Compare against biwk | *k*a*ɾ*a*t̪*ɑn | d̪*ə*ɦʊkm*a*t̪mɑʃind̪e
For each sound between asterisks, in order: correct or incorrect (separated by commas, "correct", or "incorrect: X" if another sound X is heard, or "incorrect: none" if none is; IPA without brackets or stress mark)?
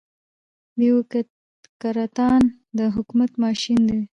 correct, correct, correct, correct, correct